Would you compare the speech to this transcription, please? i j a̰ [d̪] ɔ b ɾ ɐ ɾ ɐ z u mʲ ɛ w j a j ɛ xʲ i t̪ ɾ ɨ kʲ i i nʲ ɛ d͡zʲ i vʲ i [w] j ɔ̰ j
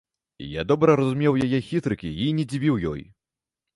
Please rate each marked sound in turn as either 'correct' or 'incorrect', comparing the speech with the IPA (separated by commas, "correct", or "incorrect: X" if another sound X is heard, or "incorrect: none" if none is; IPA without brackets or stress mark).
correct, correct